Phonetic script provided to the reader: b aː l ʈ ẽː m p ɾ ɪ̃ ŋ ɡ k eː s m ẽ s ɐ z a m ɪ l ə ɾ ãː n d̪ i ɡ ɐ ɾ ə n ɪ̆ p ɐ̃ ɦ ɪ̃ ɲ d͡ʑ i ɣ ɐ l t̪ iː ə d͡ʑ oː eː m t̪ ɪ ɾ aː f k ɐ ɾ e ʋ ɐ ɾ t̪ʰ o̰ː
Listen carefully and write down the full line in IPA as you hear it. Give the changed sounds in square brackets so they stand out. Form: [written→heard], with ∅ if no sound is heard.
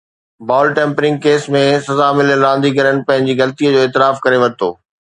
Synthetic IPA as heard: b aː l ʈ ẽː m p ɾ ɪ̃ ŋ ɡ k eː s m ẽ s ɐ z a m ɪ l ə ɾ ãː n d̪ i ɡ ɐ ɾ ə n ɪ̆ p ɐ̃ ɦ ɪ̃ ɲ d͡ʑ i ɣ ɐ l t̪ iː ə d͡ʑ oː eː [m→∅] t̪ ɪ ɾ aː f k ɐ ɾ e ʋ ɐ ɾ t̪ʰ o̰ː